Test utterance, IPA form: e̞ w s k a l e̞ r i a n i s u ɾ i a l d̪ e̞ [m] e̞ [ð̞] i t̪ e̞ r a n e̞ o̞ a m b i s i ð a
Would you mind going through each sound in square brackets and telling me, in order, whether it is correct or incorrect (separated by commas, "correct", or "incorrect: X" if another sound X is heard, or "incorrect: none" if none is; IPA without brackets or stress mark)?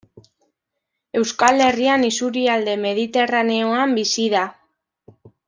correct, correct